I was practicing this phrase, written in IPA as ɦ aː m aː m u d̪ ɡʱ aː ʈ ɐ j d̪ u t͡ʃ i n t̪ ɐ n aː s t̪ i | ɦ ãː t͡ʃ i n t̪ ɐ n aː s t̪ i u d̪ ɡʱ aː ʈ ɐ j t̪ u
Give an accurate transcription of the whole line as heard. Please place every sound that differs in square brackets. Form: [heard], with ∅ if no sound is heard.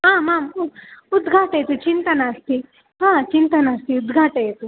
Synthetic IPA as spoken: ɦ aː m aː m u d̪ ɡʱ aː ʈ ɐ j [t̪] u t͡ʃ i n t̪ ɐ n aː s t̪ i | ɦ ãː t͡ʃ i n t̪ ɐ n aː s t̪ i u d̪ ɡʱ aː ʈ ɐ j t̪ u